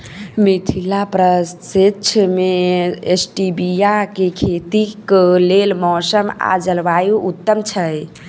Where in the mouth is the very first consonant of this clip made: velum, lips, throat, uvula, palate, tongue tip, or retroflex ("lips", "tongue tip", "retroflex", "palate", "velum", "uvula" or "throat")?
lips